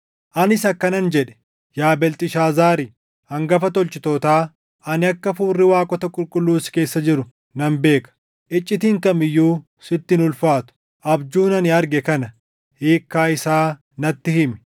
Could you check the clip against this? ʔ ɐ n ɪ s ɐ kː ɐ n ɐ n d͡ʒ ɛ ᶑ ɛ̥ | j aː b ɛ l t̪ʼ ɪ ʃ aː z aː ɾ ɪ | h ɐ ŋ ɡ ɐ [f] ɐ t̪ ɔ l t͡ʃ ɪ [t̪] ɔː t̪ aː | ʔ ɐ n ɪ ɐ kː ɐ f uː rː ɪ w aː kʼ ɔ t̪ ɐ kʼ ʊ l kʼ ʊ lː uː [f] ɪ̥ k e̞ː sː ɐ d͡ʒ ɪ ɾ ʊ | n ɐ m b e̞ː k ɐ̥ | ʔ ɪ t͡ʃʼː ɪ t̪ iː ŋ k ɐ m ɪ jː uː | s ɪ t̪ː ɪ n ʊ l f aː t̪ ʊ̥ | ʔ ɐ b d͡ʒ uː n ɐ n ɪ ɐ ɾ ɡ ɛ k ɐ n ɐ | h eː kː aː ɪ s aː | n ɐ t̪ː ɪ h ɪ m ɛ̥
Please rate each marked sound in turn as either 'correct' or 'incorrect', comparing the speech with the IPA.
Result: correct, correct, incorrect

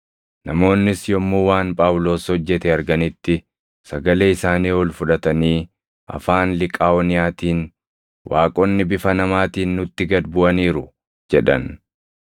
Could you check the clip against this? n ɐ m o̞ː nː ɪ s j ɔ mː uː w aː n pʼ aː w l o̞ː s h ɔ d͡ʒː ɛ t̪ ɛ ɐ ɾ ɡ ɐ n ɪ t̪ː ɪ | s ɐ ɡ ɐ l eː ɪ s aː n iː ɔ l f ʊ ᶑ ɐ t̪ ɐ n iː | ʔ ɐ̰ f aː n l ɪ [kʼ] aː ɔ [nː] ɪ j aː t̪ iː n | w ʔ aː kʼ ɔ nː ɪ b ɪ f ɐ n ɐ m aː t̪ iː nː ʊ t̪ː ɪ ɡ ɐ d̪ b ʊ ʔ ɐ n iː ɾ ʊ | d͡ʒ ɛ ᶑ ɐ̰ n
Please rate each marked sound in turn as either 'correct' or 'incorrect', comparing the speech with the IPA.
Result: correct, incorrect

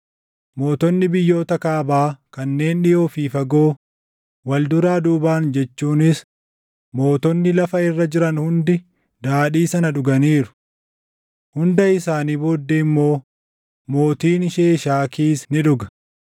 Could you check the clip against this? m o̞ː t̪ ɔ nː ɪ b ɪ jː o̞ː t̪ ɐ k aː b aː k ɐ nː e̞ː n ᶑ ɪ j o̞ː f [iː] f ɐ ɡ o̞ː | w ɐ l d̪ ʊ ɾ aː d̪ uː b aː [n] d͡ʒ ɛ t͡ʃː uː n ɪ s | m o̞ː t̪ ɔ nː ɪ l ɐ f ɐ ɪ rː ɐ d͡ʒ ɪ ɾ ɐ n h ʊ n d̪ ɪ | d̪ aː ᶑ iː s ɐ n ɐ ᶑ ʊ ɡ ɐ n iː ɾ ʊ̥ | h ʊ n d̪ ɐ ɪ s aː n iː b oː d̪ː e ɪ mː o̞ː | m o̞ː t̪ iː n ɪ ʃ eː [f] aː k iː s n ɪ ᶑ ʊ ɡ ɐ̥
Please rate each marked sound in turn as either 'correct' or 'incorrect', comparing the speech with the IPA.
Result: correct, correct, incorrect

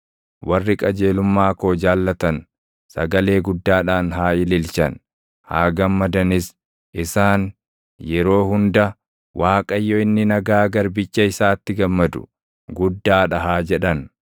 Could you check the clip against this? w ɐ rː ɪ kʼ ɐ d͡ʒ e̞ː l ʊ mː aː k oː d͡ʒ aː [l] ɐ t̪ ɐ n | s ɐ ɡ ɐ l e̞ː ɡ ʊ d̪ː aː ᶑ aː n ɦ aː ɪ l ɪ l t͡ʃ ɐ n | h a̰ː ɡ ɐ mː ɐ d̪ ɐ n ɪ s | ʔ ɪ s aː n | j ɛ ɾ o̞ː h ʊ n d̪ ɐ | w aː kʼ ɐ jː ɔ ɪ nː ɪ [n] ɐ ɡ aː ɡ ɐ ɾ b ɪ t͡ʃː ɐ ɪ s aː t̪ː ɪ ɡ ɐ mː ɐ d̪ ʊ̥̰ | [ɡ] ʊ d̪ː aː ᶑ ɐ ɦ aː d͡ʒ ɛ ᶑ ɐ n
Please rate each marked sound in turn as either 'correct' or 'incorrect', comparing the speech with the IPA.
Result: incorrect, correct, correct

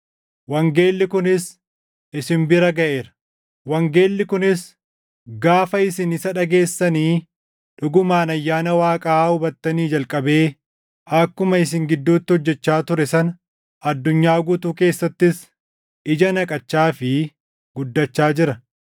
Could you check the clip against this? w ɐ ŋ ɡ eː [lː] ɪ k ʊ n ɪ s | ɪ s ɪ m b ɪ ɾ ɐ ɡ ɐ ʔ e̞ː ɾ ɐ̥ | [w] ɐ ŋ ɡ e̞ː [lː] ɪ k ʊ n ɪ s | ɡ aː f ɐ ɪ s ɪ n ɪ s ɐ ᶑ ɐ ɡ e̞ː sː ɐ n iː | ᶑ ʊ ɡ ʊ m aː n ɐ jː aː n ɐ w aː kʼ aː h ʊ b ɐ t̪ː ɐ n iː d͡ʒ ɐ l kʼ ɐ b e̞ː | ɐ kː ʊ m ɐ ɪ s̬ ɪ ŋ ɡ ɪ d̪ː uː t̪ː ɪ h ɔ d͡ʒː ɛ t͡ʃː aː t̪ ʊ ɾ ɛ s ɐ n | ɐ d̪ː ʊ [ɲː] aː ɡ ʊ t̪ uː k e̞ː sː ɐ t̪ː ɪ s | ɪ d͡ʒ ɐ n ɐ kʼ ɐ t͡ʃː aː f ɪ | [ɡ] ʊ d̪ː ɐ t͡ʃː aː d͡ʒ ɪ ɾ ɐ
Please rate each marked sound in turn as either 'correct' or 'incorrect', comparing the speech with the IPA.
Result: correct, correct, correct, correct, correct

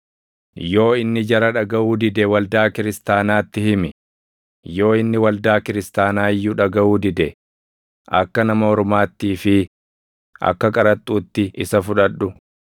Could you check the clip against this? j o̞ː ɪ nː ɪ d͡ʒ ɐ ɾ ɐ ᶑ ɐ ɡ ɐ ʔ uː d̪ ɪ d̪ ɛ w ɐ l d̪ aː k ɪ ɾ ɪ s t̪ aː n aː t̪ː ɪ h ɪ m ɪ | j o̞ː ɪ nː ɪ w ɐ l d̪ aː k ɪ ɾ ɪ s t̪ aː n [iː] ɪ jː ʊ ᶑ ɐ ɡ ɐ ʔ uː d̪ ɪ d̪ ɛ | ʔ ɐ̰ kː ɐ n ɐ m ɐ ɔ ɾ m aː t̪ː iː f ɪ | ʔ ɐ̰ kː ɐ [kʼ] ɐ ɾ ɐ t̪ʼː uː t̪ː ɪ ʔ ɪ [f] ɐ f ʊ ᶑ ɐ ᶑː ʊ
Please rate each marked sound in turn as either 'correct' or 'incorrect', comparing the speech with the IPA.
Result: incorrect, correct, incorrect

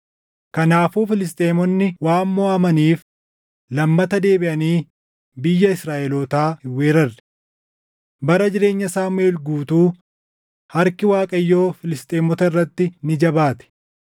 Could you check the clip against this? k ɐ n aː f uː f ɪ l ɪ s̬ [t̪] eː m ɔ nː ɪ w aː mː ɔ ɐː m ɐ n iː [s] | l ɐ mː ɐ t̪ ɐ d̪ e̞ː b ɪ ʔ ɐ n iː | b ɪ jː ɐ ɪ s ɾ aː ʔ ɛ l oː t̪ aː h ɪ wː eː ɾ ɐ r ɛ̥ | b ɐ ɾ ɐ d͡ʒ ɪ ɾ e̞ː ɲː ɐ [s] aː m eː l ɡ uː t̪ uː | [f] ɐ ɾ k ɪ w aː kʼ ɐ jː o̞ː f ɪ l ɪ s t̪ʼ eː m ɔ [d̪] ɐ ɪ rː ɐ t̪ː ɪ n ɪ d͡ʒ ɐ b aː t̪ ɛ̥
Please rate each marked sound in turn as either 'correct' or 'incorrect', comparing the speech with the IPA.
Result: incorrect, incorrect, correct, incorrect, incorrect

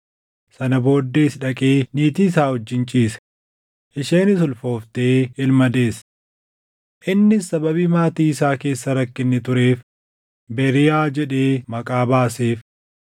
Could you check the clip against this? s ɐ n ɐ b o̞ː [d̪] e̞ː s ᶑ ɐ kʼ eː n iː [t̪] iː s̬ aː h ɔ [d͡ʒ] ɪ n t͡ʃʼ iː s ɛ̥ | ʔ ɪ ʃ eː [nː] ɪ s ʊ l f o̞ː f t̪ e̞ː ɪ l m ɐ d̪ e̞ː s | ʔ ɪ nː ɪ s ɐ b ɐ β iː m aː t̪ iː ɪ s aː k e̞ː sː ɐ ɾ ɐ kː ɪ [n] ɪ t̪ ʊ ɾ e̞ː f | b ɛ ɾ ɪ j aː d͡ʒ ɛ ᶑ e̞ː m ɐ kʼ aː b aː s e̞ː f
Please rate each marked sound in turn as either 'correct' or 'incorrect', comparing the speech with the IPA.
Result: incorrect, correct, incorrect, incorrect, incorrect

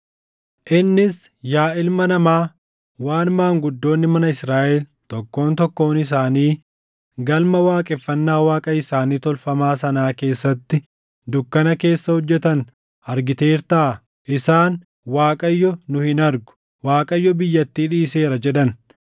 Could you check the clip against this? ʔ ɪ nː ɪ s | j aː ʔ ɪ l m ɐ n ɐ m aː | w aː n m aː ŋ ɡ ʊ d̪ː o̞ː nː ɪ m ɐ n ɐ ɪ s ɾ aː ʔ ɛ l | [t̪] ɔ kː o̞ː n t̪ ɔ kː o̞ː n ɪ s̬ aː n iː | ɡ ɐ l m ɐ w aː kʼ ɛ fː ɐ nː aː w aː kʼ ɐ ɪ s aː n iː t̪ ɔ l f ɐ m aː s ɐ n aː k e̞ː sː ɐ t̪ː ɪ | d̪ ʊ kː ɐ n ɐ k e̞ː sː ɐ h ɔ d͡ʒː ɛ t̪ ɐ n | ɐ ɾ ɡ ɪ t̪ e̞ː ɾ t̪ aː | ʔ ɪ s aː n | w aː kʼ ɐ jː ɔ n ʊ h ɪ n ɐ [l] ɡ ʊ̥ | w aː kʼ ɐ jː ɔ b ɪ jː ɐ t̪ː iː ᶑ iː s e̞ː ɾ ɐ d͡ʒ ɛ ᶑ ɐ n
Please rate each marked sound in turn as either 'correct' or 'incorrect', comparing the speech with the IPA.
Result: correct, incorrect

